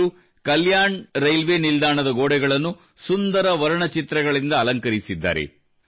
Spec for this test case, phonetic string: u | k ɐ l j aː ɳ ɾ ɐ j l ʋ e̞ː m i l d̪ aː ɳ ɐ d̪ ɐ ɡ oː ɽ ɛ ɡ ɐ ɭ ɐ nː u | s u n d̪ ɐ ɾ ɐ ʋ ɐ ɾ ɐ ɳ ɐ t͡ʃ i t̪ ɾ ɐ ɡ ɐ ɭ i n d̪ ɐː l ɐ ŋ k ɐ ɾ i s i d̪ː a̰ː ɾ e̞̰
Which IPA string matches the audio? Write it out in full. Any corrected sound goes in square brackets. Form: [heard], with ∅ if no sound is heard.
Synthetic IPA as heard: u | k ɐ l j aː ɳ ɾ ɐ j l ʋ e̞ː [n] i l d̪ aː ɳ ɐ d̪ ɐ ɡ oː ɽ ɛ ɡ ɐ ɭ ɐ nː u | s u n d̪ ɐ ɾ ɐ ʋ ɐ ɾ ɐ ɳ ɐ t͡ʃ i t̪ ɾ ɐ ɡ ɐ ɭ i n d̪ ɐː l ɐ ŋ k ɐ ɾ i s i d̪ː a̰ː ɾ e̞̰